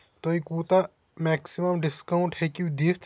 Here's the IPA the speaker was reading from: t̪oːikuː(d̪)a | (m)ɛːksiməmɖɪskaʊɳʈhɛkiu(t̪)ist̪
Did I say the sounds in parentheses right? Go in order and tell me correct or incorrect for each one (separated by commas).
incorrect, correct, incorrect